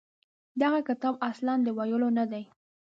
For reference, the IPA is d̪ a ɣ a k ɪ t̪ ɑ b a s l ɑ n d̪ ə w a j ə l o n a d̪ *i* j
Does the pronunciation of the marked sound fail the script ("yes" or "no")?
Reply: yes